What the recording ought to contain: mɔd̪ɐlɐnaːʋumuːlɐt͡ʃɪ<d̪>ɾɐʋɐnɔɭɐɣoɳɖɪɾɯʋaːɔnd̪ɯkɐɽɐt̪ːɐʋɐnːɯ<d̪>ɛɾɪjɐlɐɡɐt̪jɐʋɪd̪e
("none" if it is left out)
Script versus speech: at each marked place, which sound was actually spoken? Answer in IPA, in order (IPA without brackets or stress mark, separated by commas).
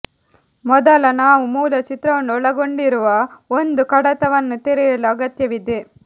t̪, t̪